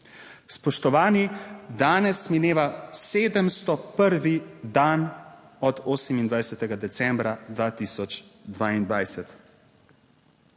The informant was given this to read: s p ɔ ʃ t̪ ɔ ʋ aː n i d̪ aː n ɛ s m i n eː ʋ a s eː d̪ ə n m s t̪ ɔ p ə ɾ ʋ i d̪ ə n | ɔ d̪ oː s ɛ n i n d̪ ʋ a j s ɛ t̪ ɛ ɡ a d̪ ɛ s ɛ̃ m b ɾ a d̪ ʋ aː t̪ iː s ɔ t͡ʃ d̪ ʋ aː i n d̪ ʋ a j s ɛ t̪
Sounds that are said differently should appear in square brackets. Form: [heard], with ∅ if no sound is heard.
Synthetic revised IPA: s p ɔ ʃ t̪ ɔ ʋ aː n i d̪ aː n ɛ s m i n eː ʋ a s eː d̪ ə [∅] m s t̪ ɔ p ə ɾ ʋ i d̪ [a] n | ɔ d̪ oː s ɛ [m] i n d̪ ʋ a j s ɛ t̪ ɛ ɡ a d̪ ɛ s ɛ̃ m b ɾ a d̪ ʋ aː t̪ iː s ɔ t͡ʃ d̪ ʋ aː i n d̪ ʋ a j s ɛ t̪